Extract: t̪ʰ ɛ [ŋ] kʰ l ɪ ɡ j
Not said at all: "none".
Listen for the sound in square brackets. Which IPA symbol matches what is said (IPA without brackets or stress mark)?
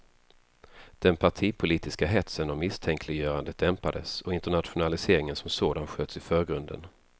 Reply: ŋ